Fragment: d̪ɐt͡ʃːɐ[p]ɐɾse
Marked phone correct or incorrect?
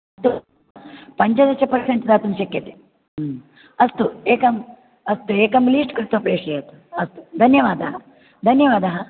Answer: correct